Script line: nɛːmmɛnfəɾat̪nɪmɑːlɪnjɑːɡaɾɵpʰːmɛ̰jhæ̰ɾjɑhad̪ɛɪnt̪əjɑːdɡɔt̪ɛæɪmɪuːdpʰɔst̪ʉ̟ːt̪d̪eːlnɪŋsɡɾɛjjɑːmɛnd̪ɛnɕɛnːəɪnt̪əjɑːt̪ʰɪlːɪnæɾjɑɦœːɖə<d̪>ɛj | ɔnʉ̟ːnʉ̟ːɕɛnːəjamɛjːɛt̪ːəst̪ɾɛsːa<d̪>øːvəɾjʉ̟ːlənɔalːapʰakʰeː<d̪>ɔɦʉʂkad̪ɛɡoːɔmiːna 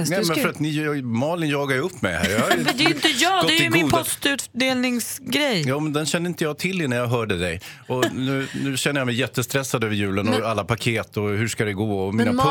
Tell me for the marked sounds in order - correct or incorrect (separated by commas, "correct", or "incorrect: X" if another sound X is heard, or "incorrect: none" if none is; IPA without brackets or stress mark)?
correct, correct, incorrect: t̪